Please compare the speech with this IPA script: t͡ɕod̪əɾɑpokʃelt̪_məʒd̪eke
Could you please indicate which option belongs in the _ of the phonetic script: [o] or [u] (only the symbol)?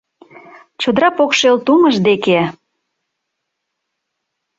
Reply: u